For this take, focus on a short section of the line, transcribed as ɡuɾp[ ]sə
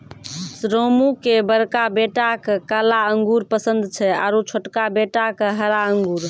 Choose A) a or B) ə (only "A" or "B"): B